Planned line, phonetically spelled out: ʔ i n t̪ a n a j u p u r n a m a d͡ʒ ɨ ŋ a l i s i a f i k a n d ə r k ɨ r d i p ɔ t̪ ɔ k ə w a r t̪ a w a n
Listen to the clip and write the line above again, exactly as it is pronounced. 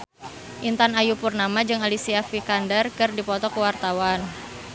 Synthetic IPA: ʔ i n t̪ a n a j u p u r n a m a d͡ʒ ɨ ŋ a l i s i a f i k a n d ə r k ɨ r d i p ɔ t̪ ɔ k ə w a r t̪ a w a n